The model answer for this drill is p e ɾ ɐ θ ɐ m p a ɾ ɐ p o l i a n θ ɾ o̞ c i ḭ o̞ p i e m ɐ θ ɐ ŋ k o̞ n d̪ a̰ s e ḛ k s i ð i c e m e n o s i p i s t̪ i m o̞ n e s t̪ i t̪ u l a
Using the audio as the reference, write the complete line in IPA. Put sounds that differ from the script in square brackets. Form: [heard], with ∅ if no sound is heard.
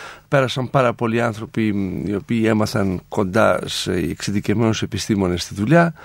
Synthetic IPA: p e ɾ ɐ [s] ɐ m p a ɾ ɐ p o l i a n θ ɾ o̞ [p] i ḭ o̞ p [iː] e m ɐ θ ɐ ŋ k o̞ n d̪ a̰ s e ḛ k s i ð i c e m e n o s [e] p i s t̪ i m o̞ n e s t̪ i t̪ u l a